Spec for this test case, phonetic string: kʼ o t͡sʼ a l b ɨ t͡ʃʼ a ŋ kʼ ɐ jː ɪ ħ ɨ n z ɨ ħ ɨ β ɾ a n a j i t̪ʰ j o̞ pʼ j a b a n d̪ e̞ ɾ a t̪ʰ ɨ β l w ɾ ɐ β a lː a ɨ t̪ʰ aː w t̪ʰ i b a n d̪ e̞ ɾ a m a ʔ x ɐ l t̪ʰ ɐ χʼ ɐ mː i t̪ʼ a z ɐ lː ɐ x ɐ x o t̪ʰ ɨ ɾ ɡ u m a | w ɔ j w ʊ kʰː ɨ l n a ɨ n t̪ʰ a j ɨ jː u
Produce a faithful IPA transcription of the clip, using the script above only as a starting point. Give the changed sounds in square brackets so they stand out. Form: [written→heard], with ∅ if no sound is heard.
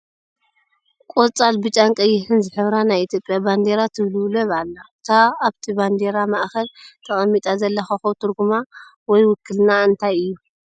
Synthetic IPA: kʼ o t͡sʼ a l b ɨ t͡ʃʼ a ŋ kʼ ɐ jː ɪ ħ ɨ n z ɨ ħ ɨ β ɾ a n a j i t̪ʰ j o̞ pʼ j a b a n d̪ e̞ ɾ a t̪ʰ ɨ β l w [ɾ→l] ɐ β a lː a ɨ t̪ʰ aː [w→β] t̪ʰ i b a n d̪ e̞ ɾ a m a ʔ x ɐ l t̪ʰ ɐ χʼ ɐ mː i t̪ʼ a z ɐ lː ɐ x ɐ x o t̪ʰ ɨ ɾ ɡ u m a | w ɔ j w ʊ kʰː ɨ l n a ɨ n t̪ʰ a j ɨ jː u